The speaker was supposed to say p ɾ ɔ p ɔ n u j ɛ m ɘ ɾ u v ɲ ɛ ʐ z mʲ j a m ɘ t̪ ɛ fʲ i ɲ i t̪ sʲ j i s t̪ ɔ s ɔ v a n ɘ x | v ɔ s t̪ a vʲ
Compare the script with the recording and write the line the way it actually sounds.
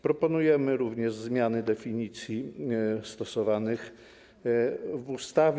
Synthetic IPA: p ɾ ɔ p ɔ n u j ɛ m ɘ ɾ u v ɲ ɛ ʐ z mʲ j a n ɘ d̪ ɛ fʲ i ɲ i t̪ sʲ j i s t̪ ɔ s ɔ v a n ɘ x | v u s t̪ a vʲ